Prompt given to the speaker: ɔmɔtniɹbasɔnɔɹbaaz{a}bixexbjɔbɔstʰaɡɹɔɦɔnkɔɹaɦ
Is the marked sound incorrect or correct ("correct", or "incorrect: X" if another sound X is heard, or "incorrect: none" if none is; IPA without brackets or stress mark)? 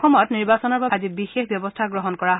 incorrect: i